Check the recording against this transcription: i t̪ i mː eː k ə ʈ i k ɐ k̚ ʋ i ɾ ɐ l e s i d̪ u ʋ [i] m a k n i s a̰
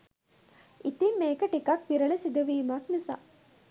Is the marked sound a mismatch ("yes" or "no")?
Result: yes